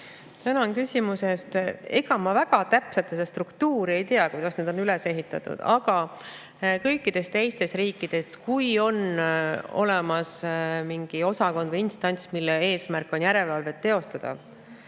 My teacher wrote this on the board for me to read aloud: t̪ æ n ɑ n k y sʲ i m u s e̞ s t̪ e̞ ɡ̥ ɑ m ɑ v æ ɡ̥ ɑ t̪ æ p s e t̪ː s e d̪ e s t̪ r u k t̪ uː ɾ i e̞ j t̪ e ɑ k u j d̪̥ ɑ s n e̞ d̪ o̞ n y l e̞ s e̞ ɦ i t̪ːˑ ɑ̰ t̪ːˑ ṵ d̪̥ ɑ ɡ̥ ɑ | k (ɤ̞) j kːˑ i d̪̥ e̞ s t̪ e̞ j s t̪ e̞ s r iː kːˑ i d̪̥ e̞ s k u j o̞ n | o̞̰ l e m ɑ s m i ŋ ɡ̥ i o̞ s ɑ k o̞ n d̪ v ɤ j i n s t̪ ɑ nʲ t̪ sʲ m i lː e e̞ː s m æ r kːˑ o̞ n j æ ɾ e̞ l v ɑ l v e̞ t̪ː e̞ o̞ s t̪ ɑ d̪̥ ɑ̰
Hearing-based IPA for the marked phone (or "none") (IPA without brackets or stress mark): ɤ̞